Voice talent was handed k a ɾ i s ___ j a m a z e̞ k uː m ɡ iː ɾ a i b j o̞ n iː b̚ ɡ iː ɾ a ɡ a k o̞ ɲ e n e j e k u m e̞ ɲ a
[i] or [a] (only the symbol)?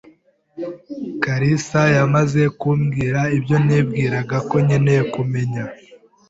a